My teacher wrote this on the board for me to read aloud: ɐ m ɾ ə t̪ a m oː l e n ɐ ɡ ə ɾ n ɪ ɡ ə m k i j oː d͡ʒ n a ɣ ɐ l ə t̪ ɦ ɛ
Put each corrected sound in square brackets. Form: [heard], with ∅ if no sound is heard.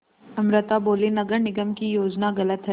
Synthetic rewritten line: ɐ m ɾ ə t̪ a [b] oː l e n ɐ ɡ ə ɾ n ɪ ɡ ə m k i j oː d͡ʒ n a ɣ ɐ l ə t̪ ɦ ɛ